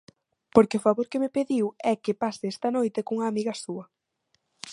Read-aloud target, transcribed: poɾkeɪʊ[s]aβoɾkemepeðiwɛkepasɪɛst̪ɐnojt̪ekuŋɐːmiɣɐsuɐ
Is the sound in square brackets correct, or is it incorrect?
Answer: incorrect: f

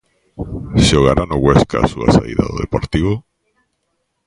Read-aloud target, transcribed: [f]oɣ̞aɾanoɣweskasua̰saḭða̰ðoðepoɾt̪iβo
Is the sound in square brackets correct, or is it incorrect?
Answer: incorrect: ʃ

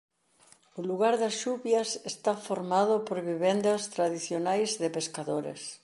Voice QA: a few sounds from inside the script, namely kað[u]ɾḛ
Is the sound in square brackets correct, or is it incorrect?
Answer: incorrect: o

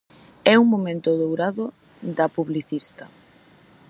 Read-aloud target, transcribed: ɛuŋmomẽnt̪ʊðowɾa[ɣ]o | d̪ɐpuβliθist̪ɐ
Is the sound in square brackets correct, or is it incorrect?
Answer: incorrect: ð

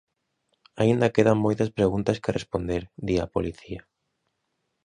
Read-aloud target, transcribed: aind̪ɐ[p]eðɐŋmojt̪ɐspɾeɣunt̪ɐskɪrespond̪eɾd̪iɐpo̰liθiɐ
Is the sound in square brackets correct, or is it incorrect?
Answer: incorrect: k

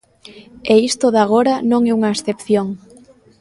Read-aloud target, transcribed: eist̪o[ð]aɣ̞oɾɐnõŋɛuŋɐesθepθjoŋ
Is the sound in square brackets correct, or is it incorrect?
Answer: correct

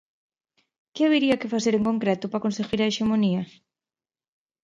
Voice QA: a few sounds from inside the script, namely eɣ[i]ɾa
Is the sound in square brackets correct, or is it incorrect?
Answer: correct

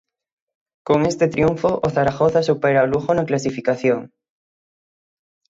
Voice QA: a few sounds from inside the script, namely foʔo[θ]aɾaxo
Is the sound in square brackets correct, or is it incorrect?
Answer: correct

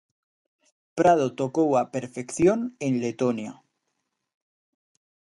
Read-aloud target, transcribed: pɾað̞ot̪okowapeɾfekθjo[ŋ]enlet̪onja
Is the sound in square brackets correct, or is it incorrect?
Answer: incorrect: n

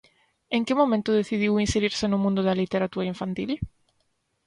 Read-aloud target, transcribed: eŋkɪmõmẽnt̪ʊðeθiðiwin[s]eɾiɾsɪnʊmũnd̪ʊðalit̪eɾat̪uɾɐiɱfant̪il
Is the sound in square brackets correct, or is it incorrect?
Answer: correct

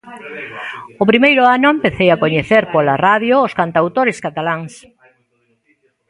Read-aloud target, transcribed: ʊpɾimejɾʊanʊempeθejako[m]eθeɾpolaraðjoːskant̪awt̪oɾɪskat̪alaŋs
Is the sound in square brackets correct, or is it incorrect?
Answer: incorrect: ɲ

